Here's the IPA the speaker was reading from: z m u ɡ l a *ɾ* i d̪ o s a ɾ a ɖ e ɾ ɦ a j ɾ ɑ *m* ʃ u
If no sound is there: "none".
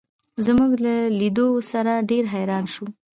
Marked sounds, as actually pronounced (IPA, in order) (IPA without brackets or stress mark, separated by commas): l, n